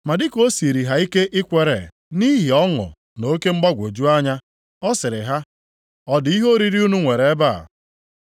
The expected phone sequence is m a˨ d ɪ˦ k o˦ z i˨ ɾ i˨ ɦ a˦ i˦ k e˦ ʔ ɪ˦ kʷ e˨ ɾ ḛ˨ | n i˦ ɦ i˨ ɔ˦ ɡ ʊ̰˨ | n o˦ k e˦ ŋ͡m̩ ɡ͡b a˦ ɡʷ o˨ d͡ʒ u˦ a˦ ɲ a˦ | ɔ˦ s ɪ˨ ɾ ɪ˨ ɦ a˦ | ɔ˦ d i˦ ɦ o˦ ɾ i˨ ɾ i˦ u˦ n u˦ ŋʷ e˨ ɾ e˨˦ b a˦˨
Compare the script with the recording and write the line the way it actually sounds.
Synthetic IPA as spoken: m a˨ d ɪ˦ k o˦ s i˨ ɾ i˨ ɦ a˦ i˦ k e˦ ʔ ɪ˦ kʷ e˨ ɾ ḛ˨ | n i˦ ɦ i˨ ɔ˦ ŋ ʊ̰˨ | n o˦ k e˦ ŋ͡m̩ ɡ͡b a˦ ɡʷ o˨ d͡ʒ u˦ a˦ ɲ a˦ | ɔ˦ s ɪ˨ ɾ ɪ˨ ɦ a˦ | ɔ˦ d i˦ ɦ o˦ ɾ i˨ ɾ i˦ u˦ n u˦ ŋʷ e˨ ɾ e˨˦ b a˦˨